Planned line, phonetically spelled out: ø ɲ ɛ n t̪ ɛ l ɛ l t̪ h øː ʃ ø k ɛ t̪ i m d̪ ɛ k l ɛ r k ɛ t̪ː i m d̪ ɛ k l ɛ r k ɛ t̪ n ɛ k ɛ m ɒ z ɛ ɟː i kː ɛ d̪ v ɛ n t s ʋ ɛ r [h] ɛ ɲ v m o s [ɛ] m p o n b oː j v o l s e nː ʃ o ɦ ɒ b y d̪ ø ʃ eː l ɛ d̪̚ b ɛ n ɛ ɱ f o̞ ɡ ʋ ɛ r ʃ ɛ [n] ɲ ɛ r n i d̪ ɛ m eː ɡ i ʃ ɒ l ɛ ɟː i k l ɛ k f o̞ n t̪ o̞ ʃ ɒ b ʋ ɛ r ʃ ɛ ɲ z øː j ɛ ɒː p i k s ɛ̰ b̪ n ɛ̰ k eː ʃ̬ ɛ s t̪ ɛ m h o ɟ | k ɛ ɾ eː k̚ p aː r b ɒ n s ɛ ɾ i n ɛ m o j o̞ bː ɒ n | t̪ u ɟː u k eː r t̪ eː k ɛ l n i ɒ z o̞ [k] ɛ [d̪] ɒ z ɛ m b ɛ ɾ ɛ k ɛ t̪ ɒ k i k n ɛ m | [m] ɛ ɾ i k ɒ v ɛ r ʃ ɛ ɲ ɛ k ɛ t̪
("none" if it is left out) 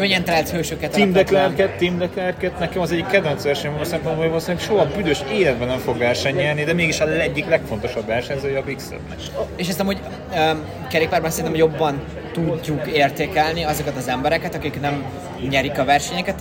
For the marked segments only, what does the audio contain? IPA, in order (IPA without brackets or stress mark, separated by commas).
ʃ, ɛ, ɲ, k, t̪, ɲ